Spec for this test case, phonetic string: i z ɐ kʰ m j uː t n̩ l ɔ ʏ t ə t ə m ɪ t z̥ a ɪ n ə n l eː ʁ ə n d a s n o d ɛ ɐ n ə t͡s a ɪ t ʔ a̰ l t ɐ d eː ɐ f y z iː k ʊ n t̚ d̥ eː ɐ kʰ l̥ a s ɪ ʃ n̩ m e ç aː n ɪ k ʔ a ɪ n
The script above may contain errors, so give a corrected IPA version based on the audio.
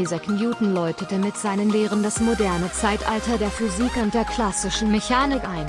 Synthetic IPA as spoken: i z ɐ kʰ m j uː t n̩ l ɔ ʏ t ə t ə m ɪ t z̥ a ɪ n ə n l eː ʁ ə n d a s m o d ɛ ɐ n ə t͡s a ɪ t ʔ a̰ l t ɐ d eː ɐ f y z iː k ʊ n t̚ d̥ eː ɐ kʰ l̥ a s ɪ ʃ n̩ m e ç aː n ɪ k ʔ a ɪ n